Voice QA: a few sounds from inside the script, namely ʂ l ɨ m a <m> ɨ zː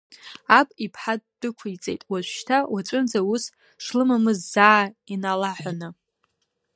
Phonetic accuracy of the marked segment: correct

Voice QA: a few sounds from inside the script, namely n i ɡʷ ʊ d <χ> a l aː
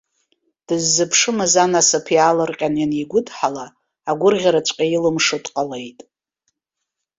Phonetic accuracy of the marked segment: incorrect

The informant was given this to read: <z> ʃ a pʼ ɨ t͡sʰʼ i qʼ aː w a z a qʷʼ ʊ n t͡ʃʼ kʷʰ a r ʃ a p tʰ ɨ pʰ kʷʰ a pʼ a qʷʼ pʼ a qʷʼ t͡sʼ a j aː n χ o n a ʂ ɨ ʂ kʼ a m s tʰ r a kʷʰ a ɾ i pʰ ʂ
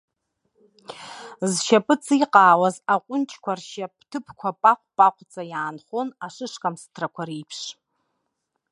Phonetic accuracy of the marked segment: correct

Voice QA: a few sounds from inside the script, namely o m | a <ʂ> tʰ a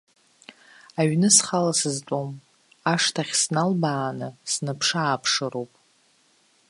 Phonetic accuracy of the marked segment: correct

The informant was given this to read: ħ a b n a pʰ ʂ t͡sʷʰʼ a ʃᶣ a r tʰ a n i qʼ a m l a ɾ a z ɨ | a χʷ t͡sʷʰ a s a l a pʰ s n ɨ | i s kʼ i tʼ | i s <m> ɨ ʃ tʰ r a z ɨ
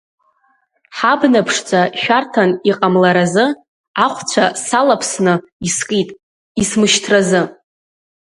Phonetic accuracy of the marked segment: correct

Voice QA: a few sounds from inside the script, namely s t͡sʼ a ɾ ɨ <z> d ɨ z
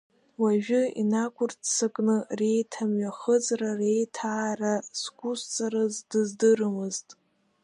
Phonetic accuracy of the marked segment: correct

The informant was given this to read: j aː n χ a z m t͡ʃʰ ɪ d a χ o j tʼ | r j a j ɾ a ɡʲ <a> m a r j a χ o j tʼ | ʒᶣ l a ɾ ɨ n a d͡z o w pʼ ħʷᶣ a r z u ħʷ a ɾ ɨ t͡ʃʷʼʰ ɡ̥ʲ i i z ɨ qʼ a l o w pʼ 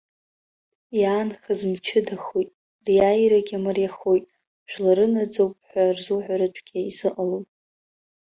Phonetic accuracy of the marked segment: correct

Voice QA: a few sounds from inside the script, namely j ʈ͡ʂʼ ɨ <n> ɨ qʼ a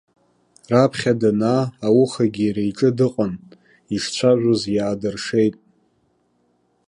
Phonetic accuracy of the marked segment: incorrect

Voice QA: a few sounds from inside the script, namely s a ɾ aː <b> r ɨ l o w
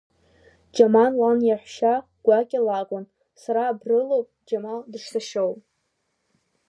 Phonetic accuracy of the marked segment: correct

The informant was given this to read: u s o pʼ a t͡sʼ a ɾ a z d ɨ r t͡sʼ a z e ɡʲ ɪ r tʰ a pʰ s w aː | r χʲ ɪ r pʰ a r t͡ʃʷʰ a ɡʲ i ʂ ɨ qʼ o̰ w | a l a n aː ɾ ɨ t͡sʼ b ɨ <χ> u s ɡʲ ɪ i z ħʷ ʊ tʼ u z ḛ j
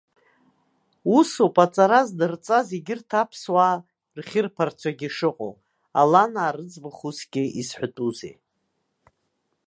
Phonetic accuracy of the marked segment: correct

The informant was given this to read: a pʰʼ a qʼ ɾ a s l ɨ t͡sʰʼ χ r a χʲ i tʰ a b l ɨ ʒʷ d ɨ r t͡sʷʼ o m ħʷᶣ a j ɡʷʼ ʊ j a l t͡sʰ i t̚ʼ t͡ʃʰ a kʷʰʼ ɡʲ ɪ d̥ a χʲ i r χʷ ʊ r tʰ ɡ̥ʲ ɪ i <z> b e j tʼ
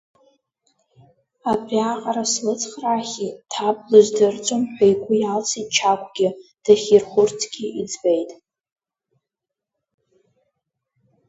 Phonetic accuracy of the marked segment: incorrect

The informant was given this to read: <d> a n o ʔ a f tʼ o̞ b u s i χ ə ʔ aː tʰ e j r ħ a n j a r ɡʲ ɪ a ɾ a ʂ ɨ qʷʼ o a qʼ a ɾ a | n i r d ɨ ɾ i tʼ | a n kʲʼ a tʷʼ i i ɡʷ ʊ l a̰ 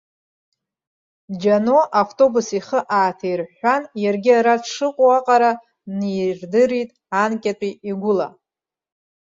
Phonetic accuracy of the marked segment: incorrect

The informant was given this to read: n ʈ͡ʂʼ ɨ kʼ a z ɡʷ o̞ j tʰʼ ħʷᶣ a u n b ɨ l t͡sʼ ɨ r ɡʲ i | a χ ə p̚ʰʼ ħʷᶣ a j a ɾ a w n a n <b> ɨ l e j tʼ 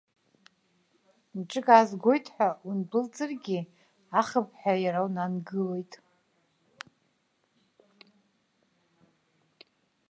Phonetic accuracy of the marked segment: incorrect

